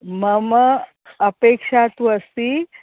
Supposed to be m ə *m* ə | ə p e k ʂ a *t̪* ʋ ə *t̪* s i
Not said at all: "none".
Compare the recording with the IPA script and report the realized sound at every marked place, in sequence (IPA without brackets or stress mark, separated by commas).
m, t̪, none